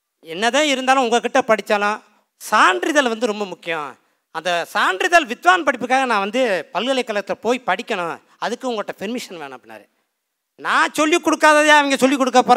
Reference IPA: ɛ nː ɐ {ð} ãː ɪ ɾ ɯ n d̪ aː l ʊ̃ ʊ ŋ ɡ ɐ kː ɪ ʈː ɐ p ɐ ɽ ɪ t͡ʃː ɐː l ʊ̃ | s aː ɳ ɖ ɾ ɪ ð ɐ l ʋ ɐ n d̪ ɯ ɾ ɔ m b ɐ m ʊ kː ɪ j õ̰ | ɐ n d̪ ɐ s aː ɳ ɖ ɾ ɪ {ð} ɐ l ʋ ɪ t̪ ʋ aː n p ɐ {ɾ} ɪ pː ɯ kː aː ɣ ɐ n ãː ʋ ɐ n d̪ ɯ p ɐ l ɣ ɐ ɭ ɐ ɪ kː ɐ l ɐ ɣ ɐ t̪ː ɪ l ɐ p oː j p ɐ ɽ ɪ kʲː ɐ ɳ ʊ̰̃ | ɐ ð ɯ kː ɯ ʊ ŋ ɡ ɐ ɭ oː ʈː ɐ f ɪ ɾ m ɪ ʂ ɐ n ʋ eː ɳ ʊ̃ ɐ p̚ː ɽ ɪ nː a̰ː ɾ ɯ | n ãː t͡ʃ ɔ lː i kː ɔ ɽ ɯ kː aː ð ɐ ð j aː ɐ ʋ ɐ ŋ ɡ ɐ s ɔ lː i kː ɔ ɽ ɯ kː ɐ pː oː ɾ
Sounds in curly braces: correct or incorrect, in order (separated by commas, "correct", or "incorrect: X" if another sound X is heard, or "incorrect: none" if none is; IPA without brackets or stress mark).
correct, correct, incorrect: ɽ